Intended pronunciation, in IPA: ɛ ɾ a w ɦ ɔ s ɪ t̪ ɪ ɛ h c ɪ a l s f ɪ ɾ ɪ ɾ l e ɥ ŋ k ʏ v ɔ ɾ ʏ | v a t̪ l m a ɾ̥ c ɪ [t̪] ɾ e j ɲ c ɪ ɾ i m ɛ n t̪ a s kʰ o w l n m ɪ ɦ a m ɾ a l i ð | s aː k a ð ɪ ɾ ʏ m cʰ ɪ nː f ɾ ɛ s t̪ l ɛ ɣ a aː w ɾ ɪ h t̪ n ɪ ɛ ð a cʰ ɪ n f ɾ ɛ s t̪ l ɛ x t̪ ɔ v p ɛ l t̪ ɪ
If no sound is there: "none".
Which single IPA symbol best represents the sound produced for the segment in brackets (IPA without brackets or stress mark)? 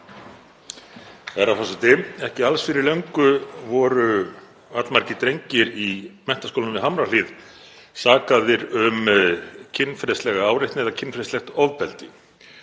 t̪